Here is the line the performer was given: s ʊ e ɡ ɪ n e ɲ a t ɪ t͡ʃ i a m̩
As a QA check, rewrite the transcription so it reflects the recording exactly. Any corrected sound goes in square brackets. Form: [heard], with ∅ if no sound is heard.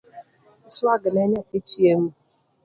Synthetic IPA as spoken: s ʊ [a] ɡ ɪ n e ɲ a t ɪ t͡ʃ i [e] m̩